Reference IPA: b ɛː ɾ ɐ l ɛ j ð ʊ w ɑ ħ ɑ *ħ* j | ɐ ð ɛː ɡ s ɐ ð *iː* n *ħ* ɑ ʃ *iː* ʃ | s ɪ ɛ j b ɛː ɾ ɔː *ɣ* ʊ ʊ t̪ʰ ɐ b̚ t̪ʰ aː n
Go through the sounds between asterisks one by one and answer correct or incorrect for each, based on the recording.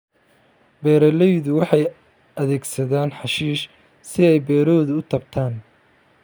incorrect: none, incorrect: aː, correct, correct, incorrect: ð

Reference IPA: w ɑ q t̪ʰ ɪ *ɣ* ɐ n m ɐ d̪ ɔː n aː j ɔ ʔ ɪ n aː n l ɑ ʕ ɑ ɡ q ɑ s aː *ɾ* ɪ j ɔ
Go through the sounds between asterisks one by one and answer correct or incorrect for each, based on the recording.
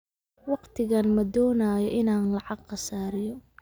correct, correct

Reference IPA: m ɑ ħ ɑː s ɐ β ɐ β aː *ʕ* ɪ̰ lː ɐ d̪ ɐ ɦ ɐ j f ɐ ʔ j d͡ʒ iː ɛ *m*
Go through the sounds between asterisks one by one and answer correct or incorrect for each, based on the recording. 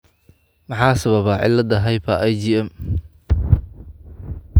correct, correct

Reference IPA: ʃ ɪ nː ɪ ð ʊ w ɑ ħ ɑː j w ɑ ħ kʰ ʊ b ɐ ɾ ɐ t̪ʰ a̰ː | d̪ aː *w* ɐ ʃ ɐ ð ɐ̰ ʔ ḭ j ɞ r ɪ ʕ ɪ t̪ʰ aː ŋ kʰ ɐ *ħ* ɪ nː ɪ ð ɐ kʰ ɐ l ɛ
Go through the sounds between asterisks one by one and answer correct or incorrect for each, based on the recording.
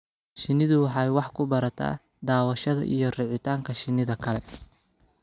correct, incorrect: ʃ

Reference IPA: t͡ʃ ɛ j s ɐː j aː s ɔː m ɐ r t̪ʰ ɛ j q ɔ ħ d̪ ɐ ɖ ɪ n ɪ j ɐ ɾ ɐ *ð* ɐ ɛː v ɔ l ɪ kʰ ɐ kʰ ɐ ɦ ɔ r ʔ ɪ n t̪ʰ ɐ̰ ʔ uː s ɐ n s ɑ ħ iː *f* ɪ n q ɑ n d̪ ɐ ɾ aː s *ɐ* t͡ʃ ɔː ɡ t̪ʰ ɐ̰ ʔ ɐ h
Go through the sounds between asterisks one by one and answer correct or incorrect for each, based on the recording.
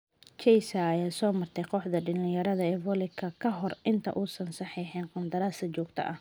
correct, incorrect: ħ, correct

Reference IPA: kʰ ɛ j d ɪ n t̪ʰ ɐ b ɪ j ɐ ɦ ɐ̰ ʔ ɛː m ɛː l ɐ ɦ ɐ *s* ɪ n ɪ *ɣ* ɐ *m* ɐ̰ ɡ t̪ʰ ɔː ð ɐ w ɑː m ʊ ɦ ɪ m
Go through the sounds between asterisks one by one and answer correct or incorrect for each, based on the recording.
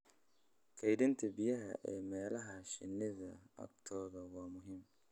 incorrect: ʃ, incorrect: ð, incorrect: none

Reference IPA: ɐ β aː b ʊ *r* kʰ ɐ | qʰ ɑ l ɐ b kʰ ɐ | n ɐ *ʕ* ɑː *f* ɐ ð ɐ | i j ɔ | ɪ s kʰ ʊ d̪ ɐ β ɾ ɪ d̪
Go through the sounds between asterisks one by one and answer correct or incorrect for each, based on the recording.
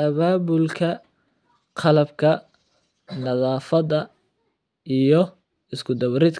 incorrect: l, incorrect: ð, correct

